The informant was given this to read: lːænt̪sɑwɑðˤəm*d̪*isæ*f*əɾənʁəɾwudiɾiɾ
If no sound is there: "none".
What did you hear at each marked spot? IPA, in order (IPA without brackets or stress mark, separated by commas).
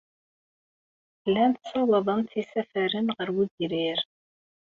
t̪, f